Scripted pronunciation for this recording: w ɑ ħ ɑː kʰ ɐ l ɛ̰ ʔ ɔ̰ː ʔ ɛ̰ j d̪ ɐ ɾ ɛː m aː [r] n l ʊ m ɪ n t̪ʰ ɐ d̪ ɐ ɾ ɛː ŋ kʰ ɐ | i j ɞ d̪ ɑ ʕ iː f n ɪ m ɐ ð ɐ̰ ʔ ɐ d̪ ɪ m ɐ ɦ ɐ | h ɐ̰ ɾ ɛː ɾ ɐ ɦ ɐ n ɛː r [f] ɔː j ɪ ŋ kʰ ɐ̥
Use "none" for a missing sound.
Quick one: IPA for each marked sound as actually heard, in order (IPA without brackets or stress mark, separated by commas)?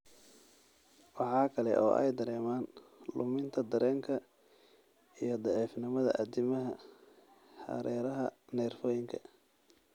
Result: none, f